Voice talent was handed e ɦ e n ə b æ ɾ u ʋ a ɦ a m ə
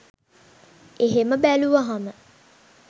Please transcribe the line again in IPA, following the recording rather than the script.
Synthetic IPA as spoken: e ɦ e m ə b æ l u ʋ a ɦ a m ə